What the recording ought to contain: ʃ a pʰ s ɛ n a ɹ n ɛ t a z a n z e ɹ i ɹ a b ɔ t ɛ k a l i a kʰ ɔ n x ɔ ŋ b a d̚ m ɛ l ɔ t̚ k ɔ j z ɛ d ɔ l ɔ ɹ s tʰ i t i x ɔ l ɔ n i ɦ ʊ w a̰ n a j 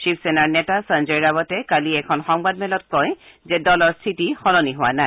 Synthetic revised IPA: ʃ i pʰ s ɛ n a ɹ n ɛ t a s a n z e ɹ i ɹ a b ɔ t ɛ k a l i ɛ kʰ ɔ n x ɔ ŋ b a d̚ m ɛ l ɔ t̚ k ɔ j z ɛ d ɔ l ɔ ɹ s tʰ i t i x ɔ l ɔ n i ɦ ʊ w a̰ n a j